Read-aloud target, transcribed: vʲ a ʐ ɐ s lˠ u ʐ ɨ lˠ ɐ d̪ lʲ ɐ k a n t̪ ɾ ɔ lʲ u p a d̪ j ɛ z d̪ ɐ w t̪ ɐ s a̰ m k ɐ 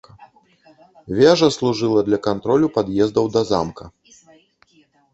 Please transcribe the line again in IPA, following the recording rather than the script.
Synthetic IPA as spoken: vʲ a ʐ ɐ s lˠ u ʐ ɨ lˠ ɐ d̪ lʲ ɐ k a n t̪ ɾ ɔ lʲ u p a d̪ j ɛ z d̪ ɐ w d̪ ɐ z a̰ m k ɐ